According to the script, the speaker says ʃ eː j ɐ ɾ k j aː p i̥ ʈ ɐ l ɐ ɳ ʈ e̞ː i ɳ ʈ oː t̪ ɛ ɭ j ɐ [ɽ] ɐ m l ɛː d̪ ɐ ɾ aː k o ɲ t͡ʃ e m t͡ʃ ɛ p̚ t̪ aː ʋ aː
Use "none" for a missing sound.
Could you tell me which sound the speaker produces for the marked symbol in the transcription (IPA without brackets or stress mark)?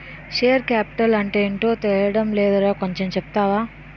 ɽ